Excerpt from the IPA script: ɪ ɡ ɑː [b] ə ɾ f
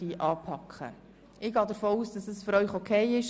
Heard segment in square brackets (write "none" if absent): d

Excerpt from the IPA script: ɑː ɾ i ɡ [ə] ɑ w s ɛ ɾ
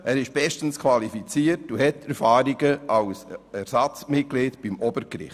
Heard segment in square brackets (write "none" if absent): ə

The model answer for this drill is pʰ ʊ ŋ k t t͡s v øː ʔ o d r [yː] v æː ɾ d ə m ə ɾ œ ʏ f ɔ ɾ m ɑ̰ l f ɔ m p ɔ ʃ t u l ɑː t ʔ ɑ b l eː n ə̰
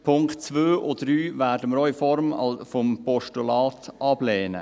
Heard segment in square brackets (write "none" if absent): yː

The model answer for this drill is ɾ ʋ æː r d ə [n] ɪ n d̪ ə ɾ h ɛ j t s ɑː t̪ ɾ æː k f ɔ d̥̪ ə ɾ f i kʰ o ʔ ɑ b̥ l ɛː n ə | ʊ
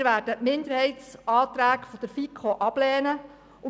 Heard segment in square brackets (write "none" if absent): m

